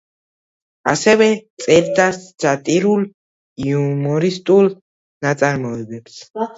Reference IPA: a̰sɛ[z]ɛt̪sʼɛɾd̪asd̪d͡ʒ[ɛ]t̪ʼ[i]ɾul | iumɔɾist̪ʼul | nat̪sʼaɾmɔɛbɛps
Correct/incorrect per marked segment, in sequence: incorrect, incorrect, correct

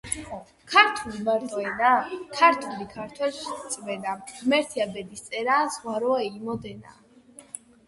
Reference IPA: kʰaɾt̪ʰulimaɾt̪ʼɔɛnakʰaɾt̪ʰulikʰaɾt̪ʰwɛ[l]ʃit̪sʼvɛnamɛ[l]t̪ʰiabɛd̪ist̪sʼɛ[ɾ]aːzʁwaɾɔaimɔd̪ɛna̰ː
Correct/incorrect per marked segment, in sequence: correct, incorrect, correct

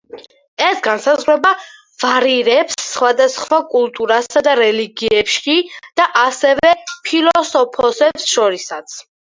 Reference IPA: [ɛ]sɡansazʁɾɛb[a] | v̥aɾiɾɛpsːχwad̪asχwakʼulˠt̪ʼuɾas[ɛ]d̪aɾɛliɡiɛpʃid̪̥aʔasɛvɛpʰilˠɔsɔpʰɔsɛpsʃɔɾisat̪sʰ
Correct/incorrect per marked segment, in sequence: correct, correct, incorrect

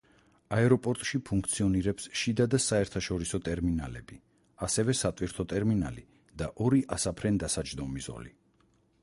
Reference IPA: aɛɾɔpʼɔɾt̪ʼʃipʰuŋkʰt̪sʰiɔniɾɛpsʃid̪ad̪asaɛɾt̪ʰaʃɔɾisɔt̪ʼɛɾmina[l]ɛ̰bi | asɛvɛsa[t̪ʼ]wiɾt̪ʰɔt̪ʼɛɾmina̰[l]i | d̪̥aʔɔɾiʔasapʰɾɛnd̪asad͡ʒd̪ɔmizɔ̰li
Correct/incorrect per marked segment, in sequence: correct, correct, correct

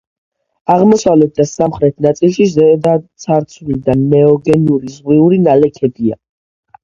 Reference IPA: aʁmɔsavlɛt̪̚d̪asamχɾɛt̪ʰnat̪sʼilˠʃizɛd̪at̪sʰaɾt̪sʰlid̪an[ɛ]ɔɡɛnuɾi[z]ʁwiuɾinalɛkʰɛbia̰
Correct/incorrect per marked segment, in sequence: correct, correct

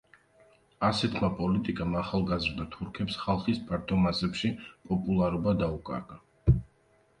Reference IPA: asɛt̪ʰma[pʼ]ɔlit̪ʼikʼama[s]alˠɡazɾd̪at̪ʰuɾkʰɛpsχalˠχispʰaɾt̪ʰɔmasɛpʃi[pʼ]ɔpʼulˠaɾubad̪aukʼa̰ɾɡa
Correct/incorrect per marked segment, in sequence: correct, incorrect, correct

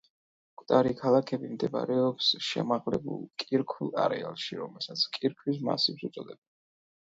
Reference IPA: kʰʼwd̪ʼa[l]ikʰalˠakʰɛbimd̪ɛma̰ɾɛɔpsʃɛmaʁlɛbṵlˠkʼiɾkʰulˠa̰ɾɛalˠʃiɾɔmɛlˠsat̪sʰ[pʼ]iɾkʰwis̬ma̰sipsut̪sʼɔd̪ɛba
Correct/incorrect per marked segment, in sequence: incorrect, incorrect

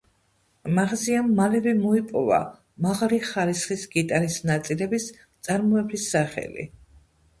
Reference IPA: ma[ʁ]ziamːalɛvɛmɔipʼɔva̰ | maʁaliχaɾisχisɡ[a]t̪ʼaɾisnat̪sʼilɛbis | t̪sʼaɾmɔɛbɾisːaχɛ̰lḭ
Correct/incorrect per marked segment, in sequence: correct, incorrect

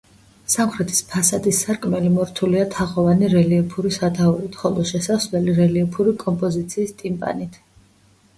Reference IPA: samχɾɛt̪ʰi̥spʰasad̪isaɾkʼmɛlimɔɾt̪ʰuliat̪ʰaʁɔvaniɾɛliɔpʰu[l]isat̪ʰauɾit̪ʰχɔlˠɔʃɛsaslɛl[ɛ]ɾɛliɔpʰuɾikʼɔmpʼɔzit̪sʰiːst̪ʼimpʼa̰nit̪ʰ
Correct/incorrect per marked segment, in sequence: incorrect, incorrect

